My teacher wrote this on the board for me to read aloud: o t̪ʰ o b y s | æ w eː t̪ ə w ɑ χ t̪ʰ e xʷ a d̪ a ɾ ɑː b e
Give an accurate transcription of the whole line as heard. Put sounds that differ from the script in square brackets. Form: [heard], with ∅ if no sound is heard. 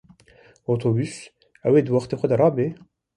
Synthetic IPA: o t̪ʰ o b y s | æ w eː [d̪] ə w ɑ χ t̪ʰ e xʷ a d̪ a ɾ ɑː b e